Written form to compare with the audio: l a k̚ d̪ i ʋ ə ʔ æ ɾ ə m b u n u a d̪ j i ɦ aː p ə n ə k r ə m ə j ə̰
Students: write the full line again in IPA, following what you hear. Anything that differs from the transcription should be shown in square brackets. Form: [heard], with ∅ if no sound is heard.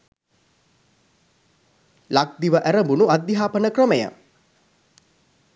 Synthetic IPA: l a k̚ d̪ i ʋ ə ʔ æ ɾ ə m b u n u a d̪ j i ɦ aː p ə n ə k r ə m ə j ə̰